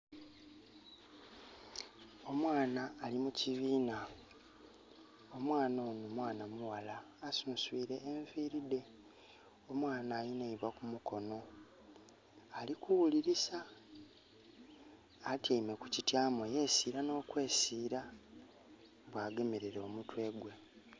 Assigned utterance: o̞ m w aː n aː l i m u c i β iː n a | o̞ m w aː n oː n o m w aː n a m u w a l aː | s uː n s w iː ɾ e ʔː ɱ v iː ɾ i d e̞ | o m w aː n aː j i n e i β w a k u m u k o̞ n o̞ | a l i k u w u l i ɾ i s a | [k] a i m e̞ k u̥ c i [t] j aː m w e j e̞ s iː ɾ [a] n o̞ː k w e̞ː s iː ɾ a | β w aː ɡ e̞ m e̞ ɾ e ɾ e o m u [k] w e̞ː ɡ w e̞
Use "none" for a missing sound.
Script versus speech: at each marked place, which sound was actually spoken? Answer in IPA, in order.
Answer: t, t, a, t

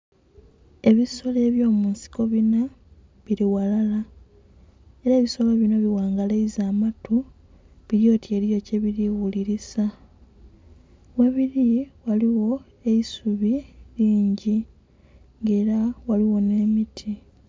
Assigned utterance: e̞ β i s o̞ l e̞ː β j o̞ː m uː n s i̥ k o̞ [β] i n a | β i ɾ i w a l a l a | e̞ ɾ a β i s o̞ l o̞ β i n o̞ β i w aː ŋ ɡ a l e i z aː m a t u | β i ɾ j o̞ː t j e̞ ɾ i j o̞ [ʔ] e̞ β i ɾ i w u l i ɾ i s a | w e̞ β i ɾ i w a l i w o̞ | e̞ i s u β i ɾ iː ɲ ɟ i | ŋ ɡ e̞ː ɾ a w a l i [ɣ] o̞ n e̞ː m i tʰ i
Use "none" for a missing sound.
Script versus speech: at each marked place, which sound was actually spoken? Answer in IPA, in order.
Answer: β, c, w

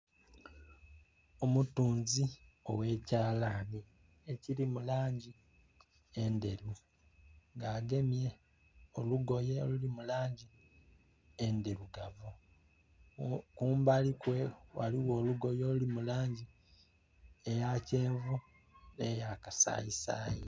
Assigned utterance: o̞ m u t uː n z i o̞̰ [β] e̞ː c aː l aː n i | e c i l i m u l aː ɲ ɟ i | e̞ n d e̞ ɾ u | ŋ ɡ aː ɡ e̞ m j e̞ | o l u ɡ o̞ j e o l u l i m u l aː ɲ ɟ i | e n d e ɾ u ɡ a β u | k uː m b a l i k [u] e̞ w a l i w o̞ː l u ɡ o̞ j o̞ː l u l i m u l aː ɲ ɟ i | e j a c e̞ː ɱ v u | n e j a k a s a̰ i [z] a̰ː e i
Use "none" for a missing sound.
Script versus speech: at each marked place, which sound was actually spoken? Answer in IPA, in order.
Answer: w, w, s

